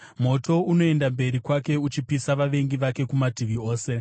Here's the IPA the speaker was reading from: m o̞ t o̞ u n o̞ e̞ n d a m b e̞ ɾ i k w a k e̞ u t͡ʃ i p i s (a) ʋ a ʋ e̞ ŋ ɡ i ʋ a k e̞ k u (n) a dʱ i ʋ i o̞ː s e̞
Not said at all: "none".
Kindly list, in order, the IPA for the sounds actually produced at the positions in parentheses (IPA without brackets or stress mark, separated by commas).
a, m